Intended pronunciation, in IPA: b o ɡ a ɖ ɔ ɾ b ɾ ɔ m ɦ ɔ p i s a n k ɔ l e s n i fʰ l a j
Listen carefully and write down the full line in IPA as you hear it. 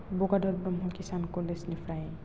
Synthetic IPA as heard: b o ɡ a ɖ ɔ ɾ b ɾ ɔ m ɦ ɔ k i s a n k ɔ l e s n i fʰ ɾ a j